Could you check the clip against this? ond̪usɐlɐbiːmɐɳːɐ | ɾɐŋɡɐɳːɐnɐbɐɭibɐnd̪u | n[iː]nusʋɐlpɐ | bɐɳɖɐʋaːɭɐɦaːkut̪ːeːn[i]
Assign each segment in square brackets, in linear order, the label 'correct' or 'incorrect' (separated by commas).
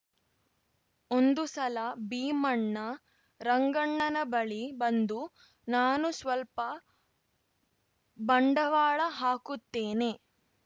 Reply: incorrect, incorrect